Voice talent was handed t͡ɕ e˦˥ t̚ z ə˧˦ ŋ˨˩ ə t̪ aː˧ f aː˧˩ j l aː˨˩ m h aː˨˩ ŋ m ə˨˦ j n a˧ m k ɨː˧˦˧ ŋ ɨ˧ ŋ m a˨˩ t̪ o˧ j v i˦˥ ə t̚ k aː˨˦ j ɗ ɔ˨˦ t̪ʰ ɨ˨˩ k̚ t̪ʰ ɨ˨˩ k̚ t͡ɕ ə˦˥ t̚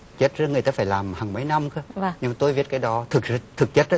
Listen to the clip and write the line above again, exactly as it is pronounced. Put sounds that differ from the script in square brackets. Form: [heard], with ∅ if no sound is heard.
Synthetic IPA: t͡ɕ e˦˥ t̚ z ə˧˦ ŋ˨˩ ə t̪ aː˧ f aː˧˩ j l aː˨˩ m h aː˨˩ ŋ m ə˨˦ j n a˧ m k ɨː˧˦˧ [ɲ] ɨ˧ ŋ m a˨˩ t̪ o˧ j v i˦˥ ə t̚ k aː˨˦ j ɗ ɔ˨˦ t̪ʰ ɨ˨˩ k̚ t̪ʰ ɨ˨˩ k̚ t͡ɕ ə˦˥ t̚